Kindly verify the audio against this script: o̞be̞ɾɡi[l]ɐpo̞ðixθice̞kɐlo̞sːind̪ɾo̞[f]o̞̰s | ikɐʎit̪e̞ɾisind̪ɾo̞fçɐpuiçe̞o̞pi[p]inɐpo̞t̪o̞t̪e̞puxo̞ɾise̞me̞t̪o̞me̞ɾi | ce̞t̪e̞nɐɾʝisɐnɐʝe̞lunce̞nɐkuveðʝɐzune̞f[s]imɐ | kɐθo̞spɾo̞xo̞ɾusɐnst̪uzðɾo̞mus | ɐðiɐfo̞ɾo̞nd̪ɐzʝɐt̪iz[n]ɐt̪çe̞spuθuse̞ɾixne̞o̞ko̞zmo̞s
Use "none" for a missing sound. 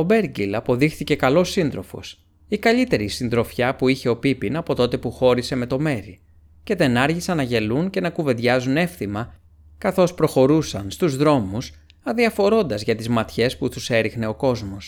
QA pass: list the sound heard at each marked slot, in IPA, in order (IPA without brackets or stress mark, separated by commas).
l, f, p, θ, m